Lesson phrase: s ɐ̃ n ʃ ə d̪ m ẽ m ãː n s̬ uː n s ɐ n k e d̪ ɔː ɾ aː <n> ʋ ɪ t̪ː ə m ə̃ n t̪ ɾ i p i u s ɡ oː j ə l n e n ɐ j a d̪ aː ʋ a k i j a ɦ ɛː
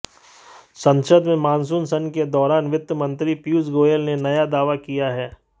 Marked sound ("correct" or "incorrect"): correct